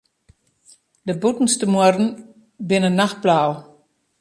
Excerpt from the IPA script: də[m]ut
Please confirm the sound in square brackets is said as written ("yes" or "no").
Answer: no